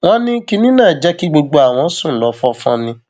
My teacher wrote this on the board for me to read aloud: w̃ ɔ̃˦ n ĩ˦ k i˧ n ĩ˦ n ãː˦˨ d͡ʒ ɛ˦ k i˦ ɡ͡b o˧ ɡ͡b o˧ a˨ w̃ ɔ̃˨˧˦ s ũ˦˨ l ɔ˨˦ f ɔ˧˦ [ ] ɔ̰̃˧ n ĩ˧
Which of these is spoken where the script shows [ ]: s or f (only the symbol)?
f